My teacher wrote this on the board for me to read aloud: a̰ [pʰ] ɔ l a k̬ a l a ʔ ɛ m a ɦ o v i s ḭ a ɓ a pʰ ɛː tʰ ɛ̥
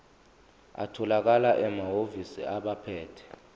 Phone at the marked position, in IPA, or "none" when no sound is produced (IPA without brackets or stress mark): tʰ